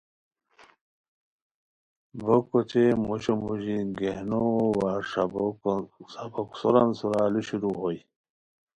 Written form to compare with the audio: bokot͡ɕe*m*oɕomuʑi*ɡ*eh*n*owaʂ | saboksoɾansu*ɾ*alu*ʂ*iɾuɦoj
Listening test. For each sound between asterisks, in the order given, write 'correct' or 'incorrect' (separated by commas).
correct, correct, correct, correct, incorrect